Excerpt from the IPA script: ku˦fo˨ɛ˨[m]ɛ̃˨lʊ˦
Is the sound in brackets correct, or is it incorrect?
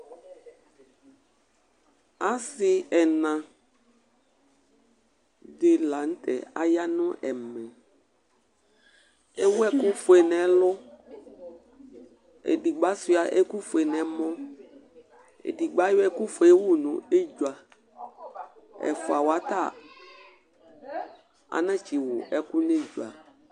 incorrect